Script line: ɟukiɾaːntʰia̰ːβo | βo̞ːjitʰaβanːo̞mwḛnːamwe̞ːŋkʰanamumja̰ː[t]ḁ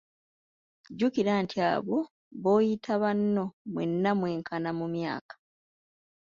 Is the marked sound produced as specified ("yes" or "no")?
no